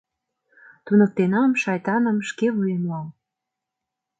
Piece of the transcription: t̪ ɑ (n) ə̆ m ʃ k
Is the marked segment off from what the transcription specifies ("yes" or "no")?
no